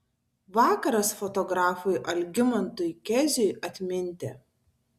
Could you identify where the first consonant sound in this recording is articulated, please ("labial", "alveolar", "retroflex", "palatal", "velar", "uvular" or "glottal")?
labial